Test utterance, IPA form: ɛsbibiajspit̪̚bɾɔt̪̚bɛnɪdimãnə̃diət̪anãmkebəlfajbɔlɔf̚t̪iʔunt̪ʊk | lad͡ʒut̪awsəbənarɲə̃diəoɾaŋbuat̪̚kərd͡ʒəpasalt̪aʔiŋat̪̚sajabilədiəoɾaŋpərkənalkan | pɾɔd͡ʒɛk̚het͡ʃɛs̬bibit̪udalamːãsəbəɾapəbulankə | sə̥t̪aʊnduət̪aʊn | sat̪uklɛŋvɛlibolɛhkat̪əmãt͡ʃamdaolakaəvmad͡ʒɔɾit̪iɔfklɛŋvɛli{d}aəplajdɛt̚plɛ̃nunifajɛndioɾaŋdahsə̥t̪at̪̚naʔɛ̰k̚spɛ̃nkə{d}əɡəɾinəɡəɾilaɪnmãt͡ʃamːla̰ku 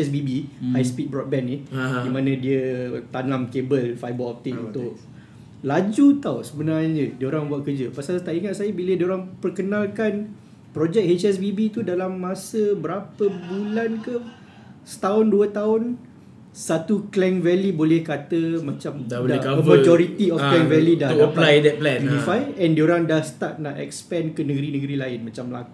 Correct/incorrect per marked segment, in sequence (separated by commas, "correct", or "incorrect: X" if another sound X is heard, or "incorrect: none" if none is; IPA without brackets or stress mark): correct, incorrect: n